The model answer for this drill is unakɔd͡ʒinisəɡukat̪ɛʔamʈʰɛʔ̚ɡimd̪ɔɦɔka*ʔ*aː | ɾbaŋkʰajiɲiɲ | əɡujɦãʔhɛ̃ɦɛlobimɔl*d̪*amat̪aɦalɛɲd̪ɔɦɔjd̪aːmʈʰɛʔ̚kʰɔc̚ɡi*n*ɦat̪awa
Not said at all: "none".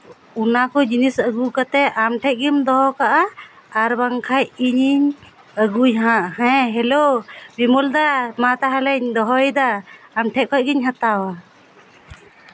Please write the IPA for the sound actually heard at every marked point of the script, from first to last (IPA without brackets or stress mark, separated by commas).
ʔ, d̪, ɲ